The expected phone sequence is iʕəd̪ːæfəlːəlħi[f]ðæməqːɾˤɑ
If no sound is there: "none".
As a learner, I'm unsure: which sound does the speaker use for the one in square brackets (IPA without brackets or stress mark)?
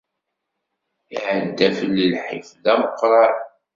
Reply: f